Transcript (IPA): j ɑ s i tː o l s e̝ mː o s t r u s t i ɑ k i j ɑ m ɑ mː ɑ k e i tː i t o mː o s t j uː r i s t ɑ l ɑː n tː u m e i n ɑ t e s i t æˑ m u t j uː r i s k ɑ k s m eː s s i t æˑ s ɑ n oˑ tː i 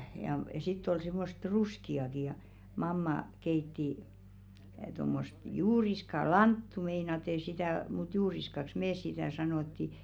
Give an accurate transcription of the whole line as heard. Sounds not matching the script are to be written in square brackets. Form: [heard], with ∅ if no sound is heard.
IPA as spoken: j ɑ s i tː o l s e̝ mː o s t r u s [k] i ɑ k i j ɑ m ɑ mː ɑ k e i tː i t o mː o s t j uː r i s [k] ɑ l [ɑ] n tː u m e i n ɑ t e s i t æˑ m u t j uː r i s k ɑ k s m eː s s i t æˑ s ɑ n oˑ tː i